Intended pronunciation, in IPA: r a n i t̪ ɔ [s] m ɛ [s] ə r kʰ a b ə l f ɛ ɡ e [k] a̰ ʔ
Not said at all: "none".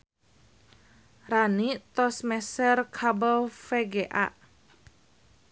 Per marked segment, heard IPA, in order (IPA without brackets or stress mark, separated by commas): s, s, ʔ